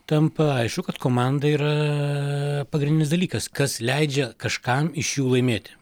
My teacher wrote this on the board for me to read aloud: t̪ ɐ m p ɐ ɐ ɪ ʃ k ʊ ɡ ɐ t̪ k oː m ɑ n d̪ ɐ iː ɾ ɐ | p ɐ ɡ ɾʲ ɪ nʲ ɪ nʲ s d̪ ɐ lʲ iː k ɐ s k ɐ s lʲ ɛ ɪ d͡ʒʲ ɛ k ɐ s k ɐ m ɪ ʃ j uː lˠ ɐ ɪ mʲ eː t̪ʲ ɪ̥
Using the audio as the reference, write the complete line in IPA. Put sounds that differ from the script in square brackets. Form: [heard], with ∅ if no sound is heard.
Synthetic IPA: t̪ ɐ m p ɐ ɐ ɪ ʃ k ʊ [k] ɐ t̪ k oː m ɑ n d̪ ɐ iː ɾ ɐ | p ɐ ɡ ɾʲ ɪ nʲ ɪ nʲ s d̪ ɐ lʲ iː k ɐ s k ɐ s lʲ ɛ ɪ d͡ʒʲ ɛ k ɐ [ʃ] k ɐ m ɪ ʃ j uː lˠ ɐ ɪ mʲ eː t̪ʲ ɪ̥